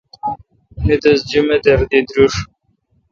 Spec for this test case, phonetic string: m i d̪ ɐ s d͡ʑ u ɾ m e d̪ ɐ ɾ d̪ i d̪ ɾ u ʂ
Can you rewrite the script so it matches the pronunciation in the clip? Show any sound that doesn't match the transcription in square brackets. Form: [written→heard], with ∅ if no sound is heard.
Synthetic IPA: [m→n] i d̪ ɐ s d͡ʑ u [ɾ→∅] m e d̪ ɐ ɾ d̪ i d̪ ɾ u ʂ